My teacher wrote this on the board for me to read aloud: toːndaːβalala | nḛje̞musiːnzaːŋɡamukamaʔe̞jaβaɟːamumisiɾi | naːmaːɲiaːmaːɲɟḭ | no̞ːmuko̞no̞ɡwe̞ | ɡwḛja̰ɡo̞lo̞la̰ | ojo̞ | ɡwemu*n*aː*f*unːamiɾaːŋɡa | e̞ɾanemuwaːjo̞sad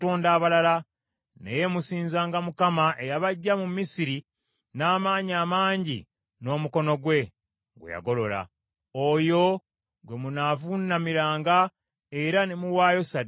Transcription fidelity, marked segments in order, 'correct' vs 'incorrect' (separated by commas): correct, incorrect